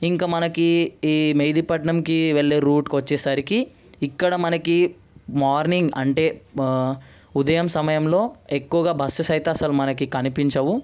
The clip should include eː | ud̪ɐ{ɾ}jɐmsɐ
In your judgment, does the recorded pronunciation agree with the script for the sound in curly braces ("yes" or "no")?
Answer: no